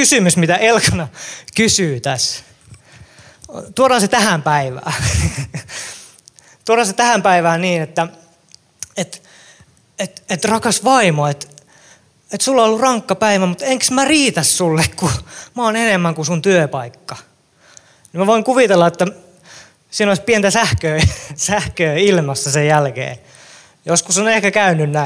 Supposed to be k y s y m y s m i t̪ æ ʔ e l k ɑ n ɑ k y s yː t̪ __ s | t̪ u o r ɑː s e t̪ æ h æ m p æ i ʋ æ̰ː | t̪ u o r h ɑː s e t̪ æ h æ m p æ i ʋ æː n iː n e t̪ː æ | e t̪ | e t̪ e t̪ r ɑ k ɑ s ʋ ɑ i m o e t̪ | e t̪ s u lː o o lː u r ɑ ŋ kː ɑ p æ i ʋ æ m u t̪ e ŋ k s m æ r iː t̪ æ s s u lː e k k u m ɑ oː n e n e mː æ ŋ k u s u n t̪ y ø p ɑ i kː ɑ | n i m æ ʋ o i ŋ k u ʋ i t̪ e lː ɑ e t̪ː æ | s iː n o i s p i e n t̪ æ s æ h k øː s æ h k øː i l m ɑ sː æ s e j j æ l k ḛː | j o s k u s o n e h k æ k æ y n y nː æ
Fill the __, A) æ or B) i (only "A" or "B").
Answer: A